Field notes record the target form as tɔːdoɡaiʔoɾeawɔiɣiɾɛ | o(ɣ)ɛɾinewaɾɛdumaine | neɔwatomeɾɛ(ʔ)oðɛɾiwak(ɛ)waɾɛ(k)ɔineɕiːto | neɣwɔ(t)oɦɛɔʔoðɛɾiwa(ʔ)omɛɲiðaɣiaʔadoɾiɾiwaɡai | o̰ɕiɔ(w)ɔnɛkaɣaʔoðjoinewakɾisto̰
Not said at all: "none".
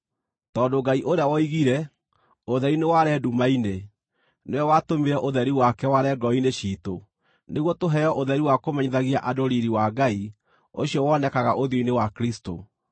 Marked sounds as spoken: ð, ʔ, ɛ, ɡ, t, k, w

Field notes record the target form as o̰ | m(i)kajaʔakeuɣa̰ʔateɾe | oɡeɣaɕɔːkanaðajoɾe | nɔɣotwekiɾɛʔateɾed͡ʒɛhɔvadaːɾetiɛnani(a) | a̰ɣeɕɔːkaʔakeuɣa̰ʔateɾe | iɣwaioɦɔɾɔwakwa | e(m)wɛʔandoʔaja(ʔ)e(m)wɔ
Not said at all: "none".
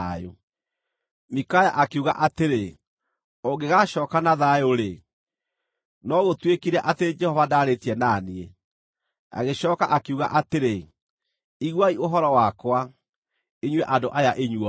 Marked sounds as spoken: i, e, ɲ, ʔ, ɲ

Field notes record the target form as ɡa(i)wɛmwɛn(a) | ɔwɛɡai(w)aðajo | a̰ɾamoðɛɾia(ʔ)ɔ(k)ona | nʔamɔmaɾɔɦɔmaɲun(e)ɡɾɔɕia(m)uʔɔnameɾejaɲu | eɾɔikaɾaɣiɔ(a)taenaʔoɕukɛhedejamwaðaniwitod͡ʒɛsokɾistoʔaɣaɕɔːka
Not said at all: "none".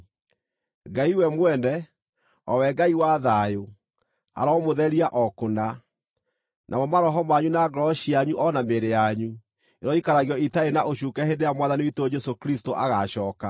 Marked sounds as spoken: i, ɛ, w, ʔ, k, a, ɲ, i

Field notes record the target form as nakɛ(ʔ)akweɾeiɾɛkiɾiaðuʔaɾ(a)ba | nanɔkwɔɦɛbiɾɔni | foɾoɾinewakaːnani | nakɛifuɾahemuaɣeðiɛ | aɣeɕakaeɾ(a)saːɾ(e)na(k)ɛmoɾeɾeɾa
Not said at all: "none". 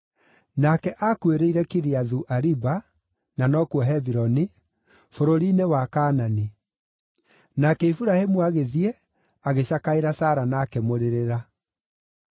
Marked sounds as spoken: ʔ, i, a, a, k

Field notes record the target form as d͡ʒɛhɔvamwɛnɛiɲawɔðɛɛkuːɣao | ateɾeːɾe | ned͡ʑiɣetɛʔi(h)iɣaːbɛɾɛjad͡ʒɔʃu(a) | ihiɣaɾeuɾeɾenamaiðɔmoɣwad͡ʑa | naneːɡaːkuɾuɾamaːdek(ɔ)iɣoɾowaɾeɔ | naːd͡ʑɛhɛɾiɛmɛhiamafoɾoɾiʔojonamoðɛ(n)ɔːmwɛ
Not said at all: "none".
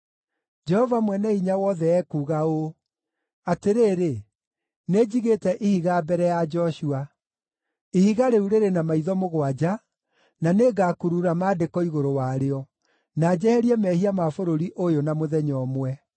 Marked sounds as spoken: h, a, ɔ, ɲ

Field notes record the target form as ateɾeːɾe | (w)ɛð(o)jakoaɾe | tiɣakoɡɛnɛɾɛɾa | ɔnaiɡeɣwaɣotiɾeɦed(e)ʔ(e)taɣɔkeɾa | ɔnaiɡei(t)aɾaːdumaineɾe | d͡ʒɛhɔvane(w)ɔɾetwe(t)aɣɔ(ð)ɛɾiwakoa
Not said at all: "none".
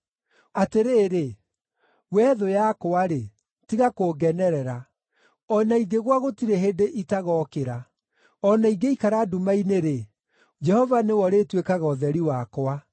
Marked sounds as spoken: w, o, e, i, k, w, k, ð

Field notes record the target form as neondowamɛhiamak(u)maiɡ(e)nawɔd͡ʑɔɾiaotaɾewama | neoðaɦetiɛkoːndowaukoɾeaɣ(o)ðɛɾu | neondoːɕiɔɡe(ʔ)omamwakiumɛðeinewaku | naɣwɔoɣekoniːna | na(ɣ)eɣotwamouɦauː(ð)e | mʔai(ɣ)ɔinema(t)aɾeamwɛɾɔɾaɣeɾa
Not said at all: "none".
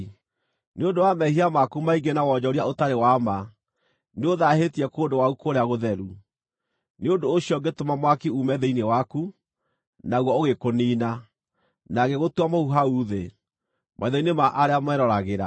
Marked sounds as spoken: u, e, o, t, ɣ, ð, ð, ʔ

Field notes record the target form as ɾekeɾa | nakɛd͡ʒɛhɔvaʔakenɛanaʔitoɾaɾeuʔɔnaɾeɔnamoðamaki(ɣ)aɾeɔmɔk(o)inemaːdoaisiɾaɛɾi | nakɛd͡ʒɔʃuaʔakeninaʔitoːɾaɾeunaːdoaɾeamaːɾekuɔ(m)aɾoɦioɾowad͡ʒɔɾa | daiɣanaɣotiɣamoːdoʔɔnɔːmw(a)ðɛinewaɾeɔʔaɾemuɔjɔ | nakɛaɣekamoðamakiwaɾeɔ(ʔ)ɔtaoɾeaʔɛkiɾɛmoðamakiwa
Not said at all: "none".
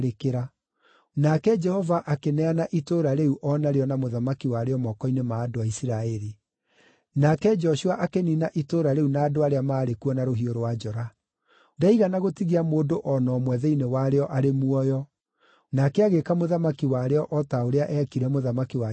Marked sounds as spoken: w, ɔ, n, ɛ, ʔ

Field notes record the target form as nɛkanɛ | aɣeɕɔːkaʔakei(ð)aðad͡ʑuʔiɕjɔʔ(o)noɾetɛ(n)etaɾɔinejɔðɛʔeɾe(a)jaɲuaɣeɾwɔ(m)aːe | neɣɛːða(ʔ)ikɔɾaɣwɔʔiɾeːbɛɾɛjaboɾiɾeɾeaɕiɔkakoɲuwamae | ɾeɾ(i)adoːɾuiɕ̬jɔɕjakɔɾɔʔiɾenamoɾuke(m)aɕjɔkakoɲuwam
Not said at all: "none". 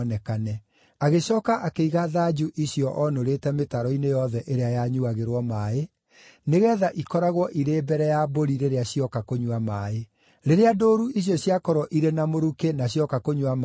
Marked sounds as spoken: ɣ, ɔ, m, a, m, ʔ, e, n

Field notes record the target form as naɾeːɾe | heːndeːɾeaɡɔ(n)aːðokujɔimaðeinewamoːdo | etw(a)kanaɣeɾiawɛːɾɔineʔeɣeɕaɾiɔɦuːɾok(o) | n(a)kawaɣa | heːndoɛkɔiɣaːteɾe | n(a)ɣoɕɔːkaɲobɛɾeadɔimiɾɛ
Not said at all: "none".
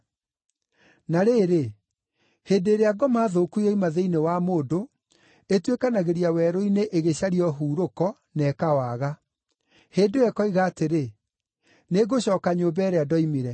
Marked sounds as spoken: m, e, ɔ, ɛ, e

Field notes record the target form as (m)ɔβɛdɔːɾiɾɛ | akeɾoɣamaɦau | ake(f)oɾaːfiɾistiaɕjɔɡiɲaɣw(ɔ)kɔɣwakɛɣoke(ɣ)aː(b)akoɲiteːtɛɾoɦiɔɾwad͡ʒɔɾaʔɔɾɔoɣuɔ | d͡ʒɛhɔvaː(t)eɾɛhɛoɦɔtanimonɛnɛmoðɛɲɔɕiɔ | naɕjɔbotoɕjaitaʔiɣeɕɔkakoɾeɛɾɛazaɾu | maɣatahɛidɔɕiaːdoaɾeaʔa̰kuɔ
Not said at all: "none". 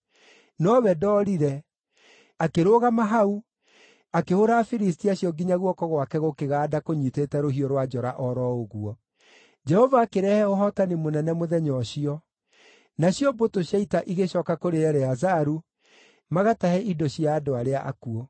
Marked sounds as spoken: n, h, ɔ, ɣ, d, k

